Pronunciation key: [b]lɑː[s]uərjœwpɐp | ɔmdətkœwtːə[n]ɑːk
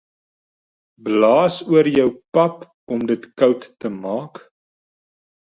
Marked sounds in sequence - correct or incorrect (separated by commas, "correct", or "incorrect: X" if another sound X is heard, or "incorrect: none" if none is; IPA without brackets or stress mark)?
correct, correct, incorrect: m